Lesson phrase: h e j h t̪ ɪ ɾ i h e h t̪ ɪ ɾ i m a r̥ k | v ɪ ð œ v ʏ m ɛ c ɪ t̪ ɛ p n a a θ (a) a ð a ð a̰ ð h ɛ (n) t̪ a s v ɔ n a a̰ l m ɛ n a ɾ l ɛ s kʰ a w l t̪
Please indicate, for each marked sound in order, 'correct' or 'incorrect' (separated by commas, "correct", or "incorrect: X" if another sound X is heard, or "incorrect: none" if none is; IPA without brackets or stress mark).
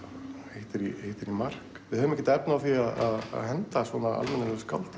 incorrect: i, correct